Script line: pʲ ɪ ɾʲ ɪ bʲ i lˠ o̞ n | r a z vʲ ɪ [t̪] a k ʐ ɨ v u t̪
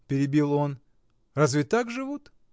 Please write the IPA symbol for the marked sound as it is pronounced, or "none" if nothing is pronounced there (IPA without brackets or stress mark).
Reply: t̪